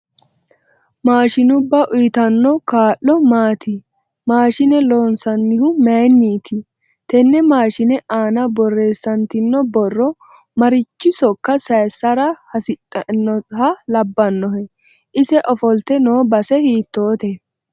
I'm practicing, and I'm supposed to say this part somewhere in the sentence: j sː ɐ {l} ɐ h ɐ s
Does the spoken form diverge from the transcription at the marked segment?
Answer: yes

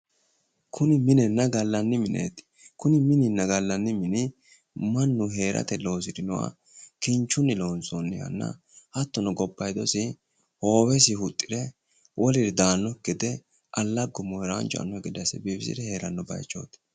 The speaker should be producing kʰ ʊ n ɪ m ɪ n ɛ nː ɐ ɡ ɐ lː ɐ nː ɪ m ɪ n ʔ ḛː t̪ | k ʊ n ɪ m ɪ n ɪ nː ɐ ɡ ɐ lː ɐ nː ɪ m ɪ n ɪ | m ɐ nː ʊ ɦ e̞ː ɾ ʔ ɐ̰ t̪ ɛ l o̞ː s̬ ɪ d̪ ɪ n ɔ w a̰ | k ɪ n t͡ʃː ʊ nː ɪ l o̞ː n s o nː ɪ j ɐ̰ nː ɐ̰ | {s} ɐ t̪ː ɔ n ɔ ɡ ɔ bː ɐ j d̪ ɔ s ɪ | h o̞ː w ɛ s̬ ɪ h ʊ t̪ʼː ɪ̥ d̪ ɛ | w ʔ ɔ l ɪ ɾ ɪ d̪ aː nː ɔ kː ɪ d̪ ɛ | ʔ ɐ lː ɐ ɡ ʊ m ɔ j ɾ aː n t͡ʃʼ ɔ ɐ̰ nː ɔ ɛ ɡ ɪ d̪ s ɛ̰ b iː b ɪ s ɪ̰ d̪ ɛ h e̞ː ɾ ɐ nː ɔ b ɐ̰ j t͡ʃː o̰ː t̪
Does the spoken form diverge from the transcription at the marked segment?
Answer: yes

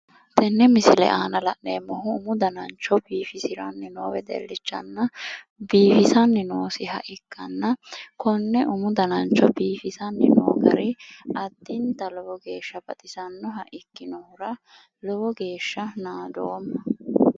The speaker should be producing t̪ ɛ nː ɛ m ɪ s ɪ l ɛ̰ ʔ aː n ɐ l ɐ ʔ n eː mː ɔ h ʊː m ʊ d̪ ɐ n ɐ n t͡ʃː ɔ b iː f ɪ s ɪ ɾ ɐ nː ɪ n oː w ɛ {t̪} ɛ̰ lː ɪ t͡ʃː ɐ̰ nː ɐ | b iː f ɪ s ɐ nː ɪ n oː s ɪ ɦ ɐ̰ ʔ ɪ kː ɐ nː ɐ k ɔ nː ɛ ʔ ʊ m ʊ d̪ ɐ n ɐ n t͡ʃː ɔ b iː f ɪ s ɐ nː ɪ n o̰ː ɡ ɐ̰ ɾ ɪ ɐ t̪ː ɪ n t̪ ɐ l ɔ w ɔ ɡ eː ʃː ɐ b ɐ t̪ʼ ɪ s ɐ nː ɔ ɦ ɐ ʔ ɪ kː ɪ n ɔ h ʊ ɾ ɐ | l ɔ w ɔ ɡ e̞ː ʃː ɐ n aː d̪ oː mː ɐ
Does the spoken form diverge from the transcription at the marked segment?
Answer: yes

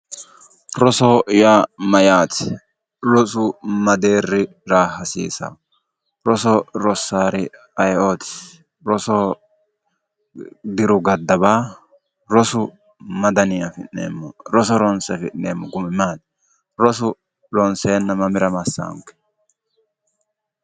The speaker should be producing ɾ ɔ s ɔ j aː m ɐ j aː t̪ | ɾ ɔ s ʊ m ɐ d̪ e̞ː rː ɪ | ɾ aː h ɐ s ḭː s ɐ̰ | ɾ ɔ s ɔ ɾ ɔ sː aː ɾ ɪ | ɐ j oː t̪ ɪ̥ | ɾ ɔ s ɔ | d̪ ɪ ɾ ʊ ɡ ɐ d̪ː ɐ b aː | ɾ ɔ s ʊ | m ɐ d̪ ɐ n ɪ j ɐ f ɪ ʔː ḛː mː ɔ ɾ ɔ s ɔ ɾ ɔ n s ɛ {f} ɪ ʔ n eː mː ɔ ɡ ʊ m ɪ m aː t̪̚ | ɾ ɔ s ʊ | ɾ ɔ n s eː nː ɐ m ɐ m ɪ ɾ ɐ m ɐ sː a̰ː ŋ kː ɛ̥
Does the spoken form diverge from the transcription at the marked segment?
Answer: no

